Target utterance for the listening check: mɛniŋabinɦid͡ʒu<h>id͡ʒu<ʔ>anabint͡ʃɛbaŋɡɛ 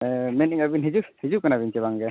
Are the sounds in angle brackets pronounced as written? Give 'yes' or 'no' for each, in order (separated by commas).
yes, no